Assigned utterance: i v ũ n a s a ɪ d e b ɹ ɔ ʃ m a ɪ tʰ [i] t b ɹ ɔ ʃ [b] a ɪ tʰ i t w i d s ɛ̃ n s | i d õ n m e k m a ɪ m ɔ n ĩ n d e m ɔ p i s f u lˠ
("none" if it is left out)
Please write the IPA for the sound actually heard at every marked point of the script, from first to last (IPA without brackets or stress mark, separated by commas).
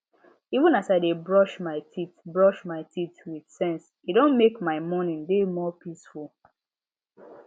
i, m